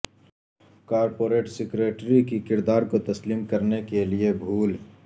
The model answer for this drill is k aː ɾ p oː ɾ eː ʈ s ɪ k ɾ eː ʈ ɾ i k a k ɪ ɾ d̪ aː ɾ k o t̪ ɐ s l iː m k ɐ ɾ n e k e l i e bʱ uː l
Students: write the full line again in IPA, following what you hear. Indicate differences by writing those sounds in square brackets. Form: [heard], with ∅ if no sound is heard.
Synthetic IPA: k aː ɾ p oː ɾ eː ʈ s ɪ k ɾ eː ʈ ɾ i k [i] k ɪ ɾ d̪ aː ɾ k o t̪ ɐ s l iː m k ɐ ɾ n e k e l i e bʱ uː l